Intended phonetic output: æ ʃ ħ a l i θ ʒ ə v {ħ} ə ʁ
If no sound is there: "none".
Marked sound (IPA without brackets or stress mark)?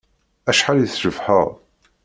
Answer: ħ